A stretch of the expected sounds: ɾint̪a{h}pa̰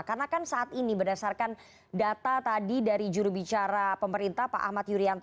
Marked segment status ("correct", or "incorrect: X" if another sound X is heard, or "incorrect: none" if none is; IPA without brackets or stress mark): correct